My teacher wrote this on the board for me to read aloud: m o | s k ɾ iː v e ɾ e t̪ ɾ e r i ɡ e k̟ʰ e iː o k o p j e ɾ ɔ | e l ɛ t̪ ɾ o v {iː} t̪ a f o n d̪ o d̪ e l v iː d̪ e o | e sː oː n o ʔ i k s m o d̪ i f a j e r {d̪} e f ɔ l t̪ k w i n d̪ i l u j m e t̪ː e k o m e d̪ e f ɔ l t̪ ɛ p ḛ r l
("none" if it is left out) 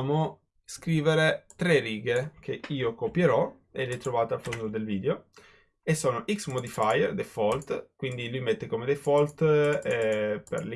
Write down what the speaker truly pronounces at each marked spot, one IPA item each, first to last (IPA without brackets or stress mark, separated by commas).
aː, d̪